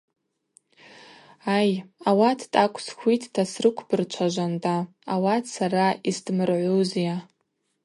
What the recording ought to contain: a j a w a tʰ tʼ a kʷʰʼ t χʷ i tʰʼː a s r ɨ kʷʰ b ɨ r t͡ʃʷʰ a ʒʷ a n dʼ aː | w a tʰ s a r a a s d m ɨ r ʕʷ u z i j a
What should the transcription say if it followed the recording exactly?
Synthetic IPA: a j a w a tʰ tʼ a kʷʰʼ s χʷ i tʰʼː a s r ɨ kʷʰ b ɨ r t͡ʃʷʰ a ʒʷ a n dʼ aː | w a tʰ s a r a i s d m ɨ r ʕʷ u z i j a